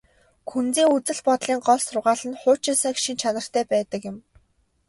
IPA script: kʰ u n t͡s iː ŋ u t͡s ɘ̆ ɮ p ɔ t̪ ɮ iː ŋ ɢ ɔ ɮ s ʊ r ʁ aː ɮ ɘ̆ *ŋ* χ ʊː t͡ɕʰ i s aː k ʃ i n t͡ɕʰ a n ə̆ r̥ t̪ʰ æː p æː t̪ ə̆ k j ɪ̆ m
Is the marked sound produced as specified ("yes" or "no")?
no